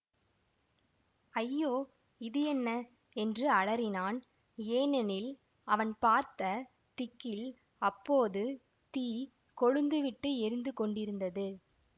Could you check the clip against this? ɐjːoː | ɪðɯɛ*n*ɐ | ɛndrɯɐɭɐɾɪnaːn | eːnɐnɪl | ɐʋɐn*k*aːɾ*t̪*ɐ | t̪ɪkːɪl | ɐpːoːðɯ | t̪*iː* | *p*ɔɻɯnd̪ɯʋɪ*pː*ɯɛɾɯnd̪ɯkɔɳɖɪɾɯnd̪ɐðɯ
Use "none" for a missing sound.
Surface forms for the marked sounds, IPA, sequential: nː, p, t̪, iː, k, ʈː

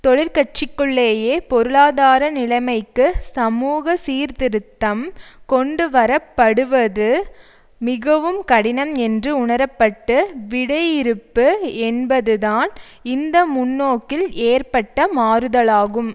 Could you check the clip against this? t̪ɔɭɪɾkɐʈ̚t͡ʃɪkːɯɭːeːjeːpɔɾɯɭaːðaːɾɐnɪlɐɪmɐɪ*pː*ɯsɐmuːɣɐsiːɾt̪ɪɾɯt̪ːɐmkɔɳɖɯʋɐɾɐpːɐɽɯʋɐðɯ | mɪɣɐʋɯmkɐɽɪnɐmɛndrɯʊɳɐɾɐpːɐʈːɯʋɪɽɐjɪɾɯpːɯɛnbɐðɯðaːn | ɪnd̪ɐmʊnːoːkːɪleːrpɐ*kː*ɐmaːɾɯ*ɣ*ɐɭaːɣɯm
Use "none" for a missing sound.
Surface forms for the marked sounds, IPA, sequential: kː, ʈː, ð

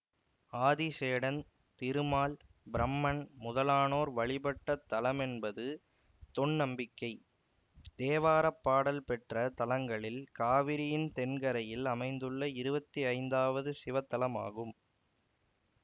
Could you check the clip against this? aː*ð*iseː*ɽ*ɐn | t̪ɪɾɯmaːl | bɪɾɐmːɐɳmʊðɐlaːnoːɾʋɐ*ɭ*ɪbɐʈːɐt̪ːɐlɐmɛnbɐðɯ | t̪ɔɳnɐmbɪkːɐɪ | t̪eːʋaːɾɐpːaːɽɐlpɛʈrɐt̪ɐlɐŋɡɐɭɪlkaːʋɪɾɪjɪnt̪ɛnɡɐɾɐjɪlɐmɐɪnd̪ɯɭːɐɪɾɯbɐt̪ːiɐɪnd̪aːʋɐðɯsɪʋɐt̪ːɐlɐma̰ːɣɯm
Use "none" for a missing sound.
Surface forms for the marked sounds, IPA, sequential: ð, ɽ, ɭ

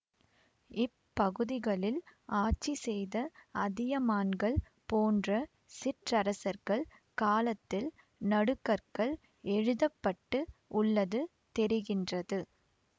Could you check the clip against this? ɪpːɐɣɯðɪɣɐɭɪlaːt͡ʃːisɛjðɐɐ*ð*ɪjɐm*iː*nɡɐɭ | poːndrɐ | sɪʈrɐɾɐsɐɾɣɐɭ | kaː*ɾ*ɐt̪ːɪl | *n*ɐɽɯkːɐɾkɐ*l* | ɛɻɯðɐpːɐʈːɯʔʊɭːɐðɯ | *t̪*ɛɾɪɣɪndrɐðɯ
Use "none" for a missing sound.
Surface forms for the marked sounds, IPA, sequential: ð, aː, l, n, ɭ, t̪

